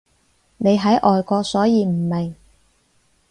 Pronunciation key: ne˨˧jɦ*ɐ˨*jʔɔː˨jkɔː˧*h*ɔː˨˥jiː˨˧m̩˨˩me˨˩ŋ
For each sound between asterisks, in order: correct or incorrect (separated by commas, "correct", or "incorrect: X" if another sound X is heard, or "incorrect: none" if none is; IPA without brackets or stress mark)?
incorrect: ɐ˨˥, incorrect: s